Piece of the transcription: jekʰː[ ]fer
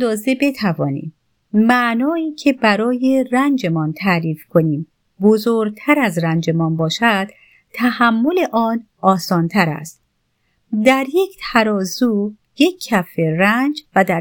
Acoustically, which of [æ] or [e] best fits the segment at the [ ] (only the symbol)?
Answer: æ